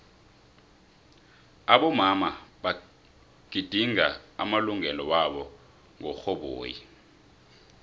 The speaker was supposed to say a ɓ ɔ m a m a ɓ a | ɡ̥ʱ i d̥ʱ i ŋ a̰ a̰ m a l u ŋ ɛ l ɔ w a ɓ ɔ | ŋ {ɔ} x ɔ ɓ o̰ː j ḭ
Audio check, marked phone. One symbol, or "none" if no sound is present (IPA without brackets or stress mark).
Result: ɔ